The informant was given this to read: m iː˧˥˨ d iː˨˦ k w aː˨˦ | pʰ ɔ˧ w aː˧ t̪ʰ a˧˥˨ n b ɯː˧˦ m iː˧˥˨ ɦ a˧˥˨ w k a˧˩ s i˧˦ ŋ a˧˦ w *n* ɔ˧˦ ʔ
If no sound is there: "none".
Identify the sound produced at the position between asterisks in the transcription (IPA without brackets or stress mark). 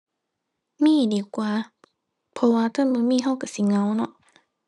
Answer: n